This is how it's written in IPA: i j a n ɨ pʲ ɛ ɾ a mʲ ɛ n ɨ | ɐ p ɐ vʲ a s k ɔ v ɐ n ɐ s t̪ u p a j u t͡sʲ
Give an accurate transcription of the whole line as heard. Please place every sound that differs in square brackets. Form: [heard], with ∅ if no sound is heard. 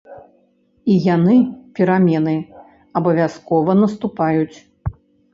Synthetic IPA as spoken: i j a n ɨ pʲ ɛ ɾ a mʲ ɛ n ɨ | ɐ [b] ɐ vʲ a s k ɔ v ɐ n ɐ s t̪ u p a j u t͡sʲ